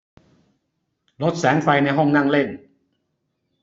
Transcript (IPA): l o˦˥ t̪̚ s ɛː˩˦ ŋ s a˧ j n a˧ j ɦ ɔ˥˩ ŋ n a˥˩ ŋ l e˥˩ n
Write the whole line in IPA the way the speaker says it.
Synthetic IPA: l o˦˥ t̪̚ s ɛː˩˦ ŋ f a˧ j n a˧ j ɦ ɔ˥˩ ŋ n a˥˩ ŋ l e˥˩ n